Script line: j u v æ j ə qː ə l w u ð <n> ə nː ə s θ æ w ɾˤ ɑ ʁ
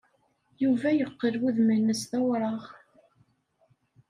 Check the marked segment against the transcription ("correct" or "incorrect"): incorrect